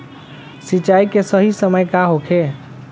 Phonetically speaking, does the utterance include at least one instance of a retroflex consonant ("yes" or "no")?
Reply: no